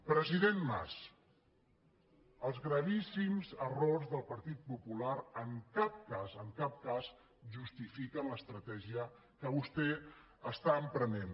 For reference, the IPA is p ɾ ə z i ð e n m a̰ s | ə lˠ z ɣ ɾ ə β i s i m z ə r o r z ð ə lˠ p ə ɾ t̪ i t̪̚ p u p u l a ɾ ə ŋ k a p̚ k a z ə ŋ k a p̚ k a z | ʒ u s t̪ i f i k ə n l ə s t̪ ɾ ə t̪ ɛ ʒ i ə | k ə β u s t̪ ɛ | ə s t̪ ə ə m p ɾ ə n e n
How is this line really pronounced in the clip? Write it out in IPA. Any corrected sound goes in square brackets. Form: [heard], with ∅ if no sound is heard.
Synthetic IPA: p ɾ ə z i ð e n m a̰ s | ə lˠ z ɣ ɾ ə β i s i m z ə r o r z ð ə lˠ p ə ɾ t̪ i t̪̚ p u p u l a ɾ ə ŋ k a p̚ k a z ə ŋ k a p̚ k a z | ʒ u s t̪ i f i k ə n l ə s t̪ ɾ ə t̪ ɛ ʒ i ə | k ə β u s t̪ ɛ | ə s t̪ [a] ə m p ɾ ə n e n